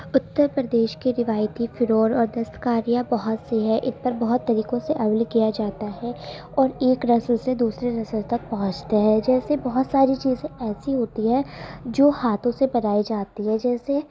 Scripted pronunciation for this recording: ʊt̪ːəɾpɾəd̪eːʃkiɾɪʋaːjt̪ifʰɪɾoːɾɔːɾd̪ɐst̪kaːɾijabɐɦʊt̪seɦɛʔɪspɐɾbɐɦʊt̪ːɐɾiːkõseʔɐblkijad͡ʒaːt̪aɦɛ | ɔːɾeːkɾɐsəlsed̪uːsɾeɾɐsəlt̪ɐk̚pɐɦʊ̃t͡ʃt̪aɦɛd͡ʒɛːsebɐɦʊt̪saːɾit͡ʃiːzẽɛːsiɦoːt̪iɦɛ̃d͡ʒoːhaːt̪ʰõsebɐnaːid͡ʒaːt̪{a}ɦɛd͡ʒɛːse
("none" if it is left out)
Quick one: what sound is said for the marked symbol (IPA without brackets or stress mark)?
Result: i